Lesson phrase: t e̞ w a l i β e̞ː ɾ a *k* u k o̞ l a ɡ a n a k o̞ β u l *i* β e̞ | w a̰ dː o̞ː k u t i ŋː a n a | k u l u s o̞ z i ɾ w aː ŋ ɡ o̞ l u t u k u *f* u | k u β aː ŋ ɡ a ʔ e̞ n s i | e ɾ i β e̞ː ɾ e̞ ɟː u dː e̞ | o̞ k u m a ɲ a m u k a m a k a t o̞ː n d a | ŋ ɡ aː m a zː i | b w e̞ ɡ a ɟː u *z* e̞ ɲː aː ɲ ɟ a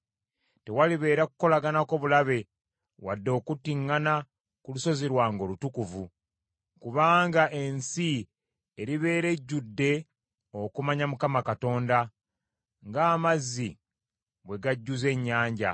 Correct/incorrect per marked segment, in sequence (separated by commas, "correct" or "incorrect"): correct, incorrect, incorrect, correct